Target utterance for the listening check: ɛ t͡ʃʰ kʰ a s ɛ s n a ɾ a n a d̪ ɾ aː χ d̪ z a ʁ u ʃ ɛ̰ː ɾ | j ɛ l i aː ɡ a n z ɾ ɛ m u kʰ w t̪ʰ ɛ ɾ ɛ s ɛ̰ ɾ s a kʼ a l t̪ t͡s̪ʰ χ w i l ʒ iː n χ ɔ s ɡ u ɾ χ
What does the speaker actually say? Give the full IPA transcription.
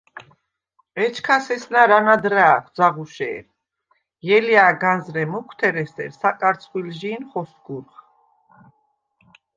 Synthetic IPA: ɛ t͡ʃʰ kʰ a s ɛ s n a ɾ a n a d̪ ɾ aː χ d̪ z a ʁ u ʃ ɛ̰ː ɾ | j ɛ l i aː ɡ a n z ɾ ɛ m u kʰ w t̪ʰ ɛ ɾ ɛ s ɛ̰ ɾ s a kʼ a ɾ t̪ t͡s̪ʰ χ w i l ʒ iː n χ ɔ s ɡ u ɾ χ